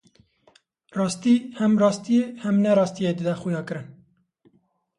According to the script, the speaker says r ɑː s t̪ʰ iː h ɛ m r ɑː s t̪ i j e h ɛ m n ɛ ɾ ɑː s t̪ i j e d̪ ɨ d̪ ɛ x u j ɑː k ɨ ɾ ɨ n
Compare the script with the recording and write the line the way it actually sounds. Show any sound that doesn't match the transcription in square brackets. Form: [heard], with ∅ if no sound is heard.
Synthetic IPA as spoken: r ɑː s [t̪] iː h ɛ m r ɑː s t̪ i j e h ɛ m n ɛ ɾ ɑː s t̪ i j e d̪ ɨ d̪ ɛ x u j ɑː k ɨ ɾ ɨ n

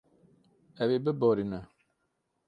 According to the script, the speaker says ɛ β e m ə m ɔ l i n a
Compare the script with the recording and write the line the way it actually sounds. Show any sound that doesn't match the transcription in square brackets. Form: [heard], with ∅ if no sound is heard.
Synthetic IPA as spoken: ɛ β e [b] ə [b] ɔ [ɾ] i n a

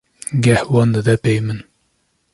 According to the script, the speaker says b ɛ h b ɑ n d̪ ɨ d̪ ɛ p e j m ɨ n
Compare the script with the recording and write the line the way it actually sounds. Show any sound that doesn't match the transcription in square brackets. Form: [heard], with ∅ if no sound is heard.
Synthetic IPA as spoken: [ɡ] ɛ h [w] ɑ n d̪ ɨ d̪ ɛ p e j m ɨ n

